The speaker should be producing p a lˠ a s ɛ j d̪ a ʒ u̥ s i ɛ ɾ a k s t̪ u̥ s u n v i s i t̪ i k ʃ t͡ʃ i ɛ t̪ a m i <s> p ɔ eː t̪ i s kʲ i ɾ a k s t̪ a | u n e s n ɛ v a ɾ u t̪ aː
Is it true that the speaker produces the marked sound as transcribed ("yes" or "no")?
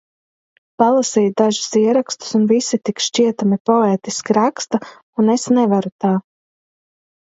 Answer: no